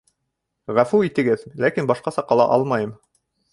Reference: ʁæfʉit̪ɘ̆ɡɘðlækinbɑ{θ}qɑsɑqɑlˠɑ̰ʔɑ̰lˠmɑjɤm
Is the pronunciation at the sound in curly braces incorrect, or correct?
incorrect